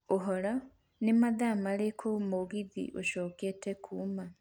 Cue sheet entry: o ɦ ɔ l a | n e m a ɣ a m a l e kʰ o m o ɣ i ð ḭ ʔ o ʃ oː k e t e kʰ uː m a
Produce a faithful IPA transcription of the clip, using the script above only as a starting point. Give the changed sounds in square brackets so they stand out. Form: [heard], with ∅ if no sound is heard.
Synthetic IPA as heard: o ɦ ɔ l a | n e m a [ð] a m a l e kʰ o m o ɣ i ð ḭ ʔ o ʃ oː k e t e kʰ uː m a